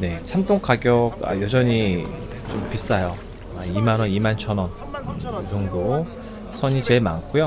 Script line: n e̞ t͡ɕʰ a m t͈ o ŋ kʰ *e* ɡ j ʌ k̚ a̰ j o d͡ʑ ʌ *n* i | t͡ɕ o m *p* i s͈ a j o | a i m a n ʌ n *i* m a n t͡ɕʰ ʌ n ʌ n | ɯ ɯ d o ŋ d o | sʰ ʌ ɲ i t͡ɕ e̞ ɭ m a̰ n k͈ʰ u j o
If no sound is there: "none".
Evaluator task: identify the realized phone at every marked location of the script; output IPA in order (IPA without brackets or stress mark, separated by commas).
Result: a, ɲ, p, i